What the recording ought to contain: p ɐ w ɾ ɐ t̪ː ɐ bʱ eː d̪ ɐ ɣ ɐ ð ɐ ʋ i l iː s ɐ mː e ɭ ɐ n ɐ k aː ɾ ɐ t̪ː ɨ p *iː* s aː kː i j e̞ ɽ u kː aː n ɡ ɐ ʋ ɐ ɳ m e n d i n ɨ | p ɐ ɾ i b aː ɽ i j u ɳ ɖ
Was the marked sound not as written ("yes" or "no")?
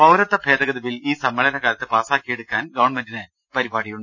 yes